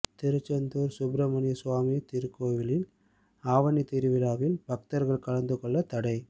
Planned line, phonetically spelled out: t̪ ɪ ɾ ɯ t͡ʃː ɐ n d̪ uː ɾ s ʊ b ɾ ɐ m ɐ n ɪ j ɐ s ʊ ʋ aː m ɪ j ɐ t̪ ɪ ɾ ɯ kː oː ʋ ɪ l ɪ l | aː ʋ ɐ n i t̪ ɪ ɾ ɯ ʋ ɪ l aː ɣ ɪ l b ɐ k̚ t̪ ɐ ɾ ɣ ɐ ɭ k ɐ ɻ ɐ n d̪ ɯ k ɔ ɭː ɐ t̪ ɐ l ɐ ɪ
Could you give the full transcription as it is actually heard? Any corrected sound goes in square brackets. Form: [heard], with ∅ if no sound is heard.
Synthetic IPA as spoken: t̪ ɪ ɾ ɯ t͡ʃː ɐ n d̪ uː ɾ s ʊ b ɾ ɐ m ɐ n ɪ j ɐ s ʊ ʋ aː m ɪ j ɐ t̪ ɪ ɾ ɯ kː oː ʋ ɪ l ɪ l | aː ʋ ɐ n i t̪ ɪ ɾ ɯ ʋ ɪ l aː ɣ ɪ l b ɐ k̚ t̪ ɐ ɾ ɣ ɐ ɭ k ɐ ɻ ɐ n d̪ ɯ k ɔ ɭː ɐ t̪ ɐ [ɽ] ɐ ɪ